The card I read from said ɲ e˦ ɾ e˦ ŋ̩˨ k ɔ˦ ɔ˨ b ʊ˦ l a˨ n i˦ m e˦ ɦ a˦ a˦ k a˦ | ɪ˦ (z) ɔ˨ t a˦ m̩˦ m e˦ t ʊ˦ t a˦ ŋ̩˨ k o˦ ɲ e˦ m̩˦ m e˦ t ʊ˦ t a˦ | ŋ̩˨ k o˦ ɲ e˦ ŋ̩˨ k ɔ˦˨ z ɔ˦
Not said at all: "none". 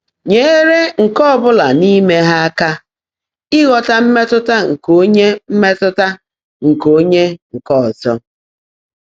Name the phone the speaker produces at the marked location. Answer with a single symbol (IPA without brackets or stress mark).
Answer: ɣ